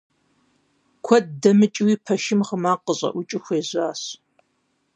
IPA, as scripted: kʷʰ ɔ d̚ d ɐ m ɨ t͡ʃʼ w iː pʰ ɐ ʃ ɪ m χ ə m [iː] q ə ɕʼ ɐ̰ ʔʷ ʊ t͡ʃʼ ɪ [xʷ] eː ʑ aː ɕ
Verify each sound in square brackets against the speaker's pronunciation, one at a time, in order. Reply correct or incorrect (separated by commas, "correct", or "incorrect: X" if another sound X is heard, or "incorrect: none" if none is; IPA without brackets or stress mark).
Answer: incorrect: aː, correct